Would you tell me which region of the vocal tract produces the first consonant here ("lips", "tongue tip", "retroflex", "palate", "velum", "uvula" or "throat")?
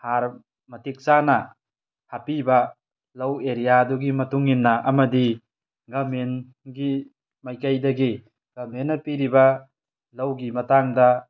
throat